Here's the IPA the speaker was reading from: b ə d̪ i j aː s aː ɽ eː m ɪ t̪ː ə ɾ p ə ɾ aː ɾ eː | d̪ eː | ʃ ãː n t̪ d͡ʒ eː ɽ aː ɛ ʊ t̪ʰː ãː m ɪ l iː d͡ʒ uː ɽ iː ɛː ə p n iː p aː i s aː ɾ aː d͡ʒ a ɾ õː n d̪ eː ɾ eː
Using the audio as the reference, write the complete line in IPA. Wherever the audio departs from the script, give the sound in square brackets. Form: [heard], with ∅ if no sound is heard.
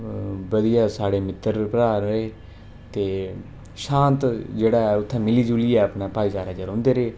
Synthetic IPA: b ə d̪ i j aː s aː ɽ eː m ɪ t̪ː ə ɾ p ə ɾ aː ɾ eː | [t̪] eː | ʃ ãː n t̪ d͡ʒ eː ɽ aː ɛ ʊ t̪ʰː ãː m ɪ l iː d͡ʒ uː [l] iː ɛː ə p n [aː] p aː i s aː ɾ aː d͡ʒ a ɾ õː n d̪ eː ɾ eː

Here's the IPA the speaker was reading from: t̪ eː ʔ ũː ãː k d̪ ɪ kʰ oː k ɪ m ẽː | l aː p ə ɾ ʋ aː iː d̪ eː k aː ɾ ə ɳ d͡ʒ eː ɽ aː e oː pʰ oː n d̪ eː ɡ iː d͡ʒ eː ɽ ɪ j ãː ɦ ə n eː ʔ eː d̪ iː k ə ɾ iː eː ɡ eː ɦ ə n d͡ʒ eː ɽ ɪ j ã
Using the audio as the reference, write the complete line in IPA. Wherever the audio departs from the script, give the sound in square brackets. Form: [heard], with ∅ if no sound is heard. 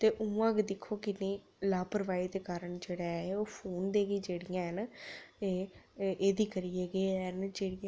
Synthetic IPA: t̪ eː ʔ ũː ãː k d̪ ɪ kʰ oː k ɪ [n] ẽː | l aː p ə ɾ ʋ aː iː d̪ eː k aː ɾ ə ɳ d͡ʒ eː ɽ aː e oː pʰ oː n d̪ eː ɡ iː d͡ʒ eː ɽ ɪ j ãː ɦ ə n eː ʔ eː d̪ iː k ə ɾ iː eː ɡ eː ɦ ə n d͡ʒ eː ɽ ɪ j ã

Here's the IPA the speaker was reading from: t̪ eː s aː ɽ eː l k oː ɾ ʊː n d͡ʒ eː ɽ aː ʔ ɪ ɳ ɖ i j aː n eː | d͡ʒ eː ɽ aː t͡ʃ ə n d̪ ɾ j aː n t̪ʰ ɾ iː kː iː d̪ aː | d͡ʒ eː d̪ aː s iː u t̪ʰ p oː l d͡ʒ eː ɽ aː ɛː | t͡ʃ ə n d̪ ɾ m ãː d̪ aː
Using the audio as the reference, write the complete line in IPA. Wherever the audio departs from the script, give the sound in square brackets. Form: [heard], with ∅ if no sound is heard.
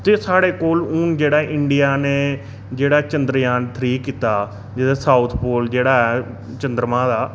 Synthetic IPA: t̪ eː s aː ɽ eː [∅] k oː [l] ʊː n d͡ʒ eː ɽ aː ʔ ɪ ɳ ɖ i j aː n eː | d͡ʒ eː ɽ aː t͡ʃ ə n d̪ ɾ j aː n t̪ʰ ɾ iː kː iː [t̪] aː | d͡ʒ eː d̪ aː s [aː] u t̪ʰ p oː l d͡ʒ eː ɽ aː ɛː | t͡ʃ ə n d̪ ɾ m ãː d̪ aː

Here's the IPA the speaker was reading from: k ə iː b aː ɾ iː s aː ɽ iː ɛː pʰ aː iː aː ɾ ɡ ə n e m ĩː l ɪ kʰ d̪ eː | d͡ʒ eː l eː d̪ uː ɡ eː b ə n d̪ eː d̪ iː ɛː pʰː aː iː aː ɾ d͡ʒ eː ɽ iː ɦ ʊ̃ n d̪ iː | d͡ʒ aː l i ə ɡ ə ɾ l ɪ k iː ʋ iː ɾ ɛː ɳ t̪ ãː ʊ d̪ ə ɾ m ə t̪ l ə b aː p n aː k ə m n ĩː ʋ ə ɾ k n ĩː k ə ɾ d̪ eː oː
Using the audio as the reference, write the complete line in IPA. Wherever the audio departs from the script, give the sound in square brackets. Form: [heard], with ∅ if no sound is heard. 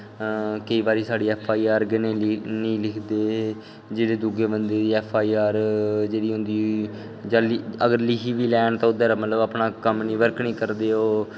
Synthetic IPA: k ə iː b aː ɾ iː s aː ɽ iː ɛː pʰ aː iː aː ɾ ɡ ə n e [n] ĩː l ɪ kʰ d̪ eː | d͡ʒ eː [ɽ] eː d̪ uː ɡ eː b ə n d̪ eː d̪ iː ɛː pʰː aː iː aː ɾ d͡ʒ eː ɽ iː ɦ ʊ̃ n d̪ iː | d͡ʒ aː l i ə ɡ ə ɾ l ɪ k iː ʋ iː [l] ɛː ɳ t̪ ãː ʊ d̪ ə ɾ m ə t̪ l ə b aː p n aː k ə m n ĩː ʋ ə ɾ k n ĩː k ə ɾ d̪ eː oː

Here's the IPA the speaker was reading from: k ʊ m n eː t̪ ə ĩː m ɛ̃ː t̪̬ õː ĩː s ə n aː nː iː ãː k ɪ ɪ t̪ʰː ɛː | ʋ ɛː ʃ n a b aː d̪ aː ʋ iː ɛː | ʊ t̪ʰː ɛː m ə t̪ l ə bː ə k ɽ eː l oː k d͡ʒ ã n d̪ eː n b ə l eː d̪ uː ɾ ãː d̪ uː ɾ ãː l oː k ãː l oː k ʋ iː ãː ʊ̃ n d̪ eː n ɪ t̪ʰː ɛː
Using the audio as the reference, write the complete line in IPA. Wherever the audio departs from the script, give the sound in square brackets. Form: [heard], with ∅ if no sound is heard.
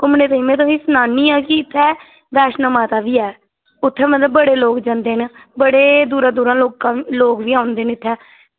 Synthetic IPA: k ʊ m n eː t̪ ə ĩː m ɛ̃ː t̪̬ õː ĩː s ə n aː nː iː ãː k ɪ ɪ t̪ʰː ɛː | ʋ ɛː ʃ n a [m] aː [t̪] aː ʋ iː ɛː | ʊ t̪ʰː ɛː m ə t̪ l ə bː ə [∅] ɽ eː l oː k d͡ʒ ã n d̪ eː n b ə [ɽ] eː d̪ uː ɾ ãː d̪ uː ɾ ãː l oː k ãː l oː k ʋ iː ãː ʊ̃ n d̪ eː n ɪ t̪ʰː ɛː

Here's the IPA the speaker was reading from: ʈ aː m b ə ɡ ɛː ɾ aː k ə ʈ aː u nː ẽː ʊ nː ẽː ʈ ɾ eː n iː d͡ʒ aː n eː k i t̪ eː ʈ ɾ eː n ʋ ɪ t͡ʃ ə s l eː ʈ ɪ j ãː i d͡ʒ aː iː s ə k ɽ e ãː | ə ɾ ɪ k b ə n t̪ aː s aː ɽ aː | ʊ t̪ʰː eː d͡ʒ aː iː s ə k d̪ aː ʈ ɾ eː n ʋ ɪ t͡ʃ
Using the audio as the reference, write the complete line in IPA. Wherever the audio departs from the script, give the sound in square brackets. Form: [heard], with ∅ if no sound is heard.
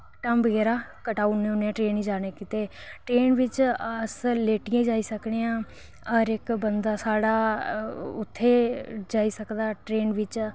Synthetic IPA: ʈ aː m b ə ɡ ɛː ɾ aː k ə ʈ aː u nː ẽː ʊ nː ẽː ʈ ɾ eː n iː d͡ʒ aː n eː k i t̪ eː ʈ ɾ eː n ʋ ɪ t͡ʃ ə s l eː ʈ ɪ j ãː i d͡ʒ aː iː s ə k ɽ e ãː | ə ɾ ɪ k b ə n [d̪] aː s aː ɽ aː | ʊ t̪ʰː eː d͡ʒ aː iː s ə k d̪ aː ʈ ɾ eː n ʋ ɪ t͡ʃ

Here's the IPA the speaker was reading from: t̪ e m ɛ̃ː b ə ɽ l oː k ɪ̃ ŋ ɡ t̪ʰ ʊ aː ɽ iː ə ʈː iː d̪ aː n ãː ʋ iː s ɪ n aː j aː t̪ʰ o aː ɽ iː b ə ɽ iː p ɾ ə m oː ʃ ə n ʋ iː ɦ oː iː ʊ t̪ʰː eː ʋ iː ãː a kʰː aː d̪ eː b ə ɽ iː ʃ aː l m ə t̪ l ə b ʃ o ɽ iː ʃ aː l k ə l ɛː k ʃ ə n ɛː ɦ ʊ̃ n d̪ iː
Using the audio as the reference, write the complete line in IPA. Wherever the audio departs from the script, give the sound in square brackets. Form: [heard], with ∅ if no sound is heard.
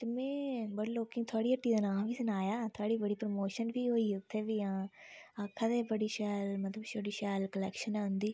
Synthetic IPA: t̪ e m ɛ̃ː b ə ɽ l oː k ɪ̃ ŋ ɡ t̪ʰ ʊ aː ɽ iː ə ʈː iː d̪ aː n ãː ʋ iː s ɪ n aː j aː t̪ʰ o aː ɽ iː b ə ɽ iː p ɾ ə m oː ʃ ə n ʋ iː ɦ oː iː ʊ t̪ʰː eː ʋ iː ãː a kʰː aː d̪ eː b ə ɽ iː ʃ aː l m ə t̪ l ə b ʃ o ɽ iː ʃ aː l k ə l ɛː k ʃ ə n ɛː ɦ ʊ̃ n d̪ iː

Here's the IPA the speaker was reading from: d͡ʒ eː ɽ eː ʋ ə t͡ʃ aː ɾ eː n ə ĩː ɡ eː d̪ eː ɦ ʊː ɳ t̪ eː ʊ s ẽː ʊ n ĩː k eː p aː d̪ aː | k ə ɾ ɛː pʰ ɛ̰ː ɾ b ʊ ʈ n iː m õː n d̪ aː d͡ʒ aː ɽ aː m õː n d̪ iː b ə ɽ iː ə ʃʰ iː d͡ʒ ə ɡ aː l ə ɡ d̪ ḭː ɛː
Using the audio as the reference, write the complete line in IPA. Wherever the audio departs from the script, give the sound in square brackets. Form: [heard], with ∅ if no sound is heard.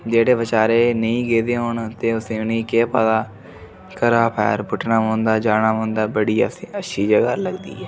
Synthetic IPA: d͡ʒ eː ɽ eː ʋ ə t͡ʃ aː ɾ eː n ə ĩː ɡ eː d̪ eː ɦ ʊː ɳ t̪ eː ʊ s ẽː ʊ n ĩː k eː p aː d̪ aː | k ə ɾ [aː] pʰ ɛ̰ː ɾ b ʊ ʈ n [aː] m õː n d̪ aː d͡ʒ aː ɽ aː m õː n d̪ [aː] b ə ɽ iː ə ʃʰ iː d͡ʒ ə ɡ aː l ə ɡ d̪ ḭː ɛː

